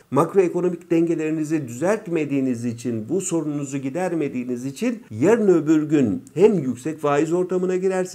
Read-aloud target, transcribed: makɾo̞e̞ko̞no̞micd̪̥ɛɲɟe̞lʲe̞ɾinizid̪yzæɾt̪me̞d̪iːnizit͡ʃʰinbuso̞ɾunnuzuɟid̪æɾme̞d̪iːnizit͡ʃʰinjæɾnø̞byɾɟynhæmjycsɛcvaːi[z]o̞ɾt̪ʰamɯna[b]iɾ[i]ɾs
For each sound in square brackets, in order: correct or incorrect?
correct, incorrect: ɟ, incorrect: æ

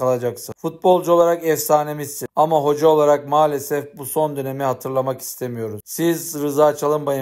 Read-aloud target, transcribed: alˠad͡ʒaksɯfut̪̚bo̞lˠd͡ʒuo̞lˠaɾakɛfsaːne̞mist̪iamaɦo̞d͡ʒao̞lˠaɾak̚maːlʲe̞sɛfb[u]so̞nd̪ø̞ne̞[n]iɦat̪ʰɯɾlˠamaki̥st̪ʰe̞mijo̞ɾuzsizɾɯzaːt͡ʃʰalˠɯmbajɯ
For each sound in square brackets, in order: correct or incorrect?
correct, incorrect: m

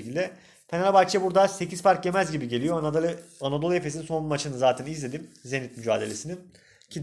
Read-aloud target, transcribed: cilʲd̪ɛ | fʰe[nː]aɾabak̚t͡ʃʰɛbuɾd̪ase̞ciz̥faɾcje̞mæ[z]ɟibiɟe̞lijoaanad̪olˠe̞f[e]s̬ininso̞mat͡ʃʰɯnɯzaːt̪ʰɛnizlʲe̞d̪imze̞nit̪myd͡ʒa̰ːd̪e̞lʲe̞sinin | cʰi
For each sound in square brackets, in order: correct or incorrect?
incorrect: n, correct, correct

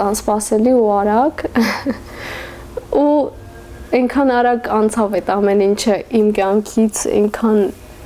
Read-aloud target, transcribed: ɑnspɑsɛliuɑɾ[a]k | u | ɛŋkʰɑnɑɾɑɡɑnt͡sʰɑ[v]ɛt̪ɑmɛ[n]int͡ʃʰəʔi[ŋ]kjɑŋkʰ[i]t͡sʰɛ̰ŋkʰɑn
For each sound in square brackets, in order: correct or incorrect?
incorrect: ɑ, correct, correct, incorrect: m, correct

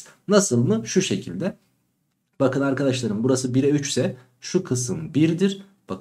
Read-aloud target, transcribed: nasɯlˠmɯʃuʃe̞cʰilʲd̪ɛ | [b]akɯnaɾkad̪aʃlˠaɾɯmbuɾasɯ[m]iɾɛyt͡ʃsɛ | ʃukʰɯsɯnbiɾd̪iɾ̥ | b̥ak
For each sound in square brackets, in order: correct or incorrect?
correct, incorrect: b

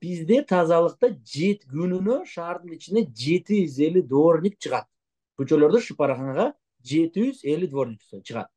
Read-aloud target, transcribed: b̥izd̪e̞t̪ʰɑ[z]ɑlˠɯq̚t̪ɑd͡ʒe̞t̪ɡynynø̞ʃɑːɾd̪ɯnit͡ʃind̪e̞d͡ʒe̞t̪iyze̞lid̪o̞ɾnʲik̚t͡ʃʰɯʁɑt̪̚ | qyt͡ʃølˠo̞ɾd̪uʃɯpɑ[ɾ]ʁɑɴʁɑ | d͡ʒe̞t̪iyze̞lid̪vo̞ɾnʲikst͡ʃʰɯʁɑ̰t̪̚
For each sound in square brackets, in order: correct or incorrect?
correct, correct

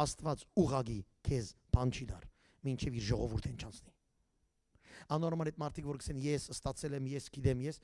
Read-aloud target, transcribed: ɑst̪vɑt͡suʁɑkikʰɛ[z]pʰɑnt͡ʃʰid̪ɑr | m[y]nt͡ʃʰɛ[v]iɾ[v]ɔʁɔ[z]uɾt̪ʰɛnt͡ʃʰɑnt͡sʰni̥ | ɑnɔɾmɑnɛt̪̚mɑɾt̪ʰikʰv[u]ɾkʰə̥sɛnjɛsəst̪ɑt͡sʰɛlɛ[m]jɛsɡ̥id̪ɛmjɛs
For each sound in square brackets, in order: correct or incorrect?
correct, incorrect: i, correct, incorrect: ʒ, incorrect: v, incorrect: ɔ, correct

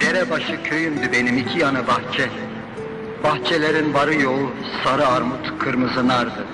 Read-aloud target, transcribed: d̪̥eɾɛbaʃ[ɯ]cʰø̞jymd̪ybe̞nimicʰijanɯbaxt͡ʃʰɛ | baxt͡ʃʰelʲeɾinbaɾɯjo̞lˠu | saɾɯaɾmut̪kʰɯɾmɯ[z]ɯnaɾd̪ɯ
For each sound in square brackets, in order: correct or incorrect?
correct, correct

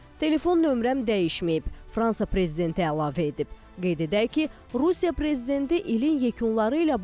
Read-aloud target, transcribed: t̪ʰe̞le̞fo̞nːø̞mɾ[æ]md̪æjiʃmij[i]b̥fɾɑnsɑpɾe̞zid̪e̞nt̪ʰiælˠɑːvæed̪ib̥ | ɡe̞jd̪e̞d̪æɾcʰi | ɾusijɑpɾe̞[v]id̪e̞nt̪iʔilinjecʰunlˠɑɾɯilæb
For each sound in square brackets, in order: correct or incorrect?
correct, correct, incorrect: z

